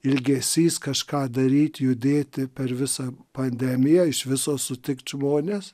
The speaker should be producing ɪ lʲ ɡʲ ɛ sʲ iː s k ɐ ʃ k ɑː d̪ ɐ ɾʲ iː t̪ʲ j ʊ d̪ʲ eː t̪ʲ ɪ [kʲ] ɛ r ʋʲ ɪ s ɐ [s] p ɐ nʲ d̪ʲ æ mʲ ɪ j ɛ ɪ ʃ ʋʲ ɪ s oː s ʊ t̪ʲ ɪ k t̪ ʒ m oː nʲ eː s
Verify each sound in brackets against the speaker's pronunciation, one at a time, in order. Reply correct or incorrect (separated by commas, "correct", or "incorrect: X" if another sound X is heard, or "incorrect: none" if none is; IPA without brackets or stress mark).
incorrect: pʲ, incorrect: none